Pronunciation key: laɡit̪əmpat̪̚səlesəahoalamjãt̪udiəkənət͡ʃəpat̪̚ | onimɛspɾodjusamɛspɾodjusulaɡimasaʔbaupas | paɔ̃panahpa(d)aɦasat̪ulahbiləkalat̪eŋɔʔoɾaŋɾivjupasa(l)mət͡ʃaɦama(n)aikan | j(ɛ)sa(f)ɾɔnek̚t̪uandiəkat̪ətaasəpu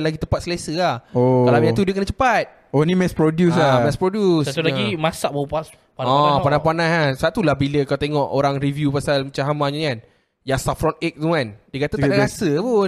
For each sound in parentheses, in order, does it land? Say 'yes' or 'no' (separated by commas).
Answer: no, yes, no, no, yes